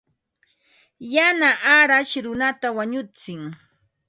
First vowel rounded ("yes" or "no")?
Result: no